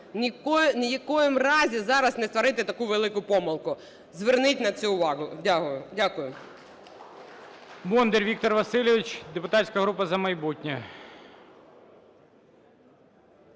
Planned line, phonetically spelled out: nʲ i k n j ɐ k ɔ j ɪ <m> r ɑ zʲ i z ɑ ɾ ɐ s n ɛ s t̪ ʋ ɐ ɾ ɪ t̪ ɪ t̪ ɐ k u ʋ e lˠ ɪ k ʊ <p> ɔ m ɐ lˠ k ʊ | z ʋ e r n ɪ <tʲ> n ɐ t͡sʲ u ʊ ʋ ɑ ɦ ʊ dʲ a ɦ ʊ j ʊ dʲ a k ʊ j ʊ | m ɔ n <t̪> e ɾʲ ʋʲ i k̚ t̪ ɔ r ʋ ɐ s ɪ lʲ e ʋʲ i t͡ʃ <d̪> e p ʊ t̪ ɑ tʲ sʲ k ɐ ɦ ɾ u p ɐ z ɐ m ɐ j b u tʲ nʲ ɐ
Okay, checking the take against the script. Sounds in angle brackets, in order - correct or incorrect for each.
correct, correct, correct, incorrect: d̪, correct

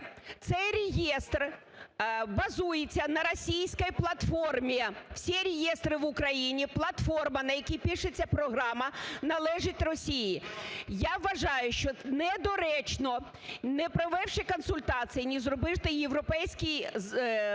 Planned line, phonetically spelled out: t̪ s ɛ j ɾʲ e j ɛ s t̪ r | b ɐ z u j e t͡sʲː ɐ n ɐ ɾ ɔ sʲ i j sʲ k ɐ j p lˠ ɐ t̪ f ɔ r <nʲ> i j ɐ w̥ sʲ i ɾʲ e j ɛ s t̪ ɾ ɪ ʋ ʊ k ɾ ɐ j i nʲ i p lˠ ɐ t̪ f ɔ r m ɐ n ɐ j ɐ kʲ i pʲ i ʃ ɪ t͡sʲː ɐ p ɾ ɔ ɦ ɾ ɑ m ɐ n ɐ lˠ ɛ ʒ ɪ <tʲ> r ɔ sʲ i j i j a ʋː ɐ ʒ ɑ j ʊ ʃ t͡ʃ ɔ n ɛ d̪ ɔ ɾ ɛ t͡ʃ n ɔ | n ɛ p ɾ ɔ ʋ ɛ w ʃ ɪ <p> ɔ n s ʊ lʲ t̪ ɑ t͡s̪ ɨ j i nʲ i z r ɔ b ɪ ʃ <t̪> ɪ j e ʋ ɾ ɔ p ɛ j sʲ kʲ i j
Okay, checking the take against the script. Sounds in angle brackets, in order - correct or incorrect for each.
incorrect: mʲ, correct, incorrect: k, correct

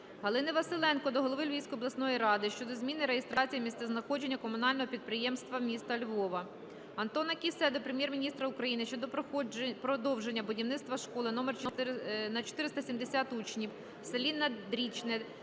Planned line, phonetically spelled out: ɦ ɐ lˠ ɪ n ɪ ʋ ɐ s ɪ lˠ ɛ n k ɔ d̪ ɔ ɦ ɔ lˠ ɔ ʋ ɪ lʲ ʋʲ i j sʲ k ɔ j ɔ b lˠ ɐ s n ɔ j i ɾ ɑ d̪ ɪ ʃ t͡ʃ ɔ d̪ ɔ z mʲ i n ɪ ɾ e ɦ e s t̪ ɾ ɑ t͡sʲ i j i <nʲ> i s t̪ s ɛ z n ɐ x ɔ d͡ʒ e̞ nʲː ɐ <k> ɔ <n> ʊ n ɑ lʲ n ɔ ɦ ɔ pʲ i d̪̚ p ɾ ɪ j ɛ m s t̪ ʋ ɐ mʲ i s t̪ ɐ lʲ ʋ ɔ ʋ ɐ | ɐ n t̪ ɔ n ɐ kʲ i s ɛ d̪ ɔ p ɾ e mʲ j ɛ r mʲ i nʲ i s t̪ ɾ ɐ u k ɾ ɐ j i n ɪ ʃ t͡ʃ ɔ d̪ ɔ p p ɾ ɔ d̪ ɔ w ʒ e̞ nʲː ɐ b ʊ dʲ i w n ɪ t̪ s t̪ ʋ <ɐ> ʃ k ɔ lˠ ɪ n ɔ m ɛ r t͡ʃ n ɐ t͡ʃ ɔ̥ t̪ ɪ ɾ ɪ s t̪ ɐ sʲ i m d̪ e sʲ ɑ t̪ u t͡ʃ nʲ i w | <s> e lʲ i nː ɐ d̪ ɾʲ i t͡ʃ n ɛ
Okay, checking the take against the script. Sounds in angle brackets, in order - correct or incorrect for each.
incorrect: mʲ, correct, incorrect: m, correct, correct

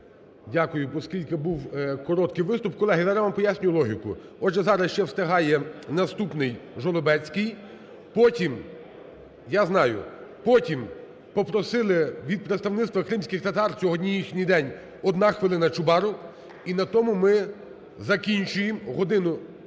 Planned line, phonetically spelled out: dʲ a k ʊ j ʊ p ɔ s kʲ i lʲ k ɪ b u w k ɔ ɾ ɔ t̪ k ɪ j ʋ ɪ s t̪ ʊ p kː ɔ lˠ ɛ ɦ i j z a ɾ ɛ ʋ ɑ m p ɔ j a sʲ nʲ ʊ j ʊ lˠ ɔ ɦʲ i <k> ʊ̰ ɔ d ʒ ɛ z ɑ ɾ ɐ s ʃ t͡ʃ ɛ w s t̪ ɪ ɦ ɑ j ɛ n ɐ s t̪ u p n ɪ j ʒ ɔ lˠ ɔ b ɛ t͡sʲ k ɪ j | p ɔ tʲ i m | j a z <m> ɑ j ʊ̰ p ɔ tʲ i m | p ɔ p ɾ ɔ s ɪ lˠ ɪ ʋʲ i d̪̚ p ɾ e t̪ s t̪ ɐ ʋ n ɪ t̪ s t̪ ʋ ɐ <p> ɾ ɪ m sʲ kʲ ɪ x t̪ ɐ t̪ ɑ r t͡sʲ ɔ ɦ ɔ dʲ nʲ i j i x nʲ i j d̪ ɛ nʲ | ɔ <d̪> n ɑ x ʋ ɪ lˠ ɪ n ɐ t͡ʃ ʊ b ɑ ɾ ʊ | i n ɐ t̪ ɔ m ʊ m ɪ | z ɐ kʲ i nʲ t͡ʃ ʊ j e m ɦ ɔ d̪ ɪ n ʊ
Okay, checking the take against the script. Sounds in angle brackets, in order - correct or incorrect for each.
correct, incorrect: n, incorrect: k, correct

